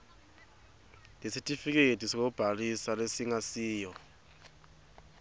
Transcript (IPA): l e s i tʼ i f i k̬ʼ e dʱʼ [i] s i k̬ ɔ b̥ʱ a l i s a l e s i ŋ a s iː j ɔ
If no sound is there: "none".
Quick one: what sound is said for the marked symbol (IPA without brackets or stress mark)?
i